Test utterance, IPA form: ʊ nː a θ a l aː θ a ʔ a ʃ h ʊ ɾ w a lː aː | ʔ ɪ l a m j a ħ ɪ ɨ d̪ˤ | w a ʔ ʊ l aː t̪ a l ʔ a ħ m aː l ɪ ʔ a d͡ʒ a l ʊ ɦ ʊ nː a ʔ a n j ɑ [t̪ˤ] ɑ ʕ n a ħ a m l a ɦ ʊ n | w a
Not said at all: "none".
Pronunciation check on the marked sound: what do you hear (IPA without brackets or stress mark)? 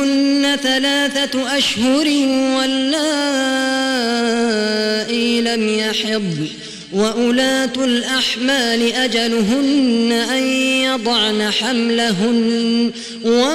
d̪ˤ